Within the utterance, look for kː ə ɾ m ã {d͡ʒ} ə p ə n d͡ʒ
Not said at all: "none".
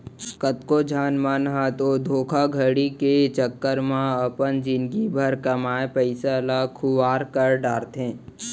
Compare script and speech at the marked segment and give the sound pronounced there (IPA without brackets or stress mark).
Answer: none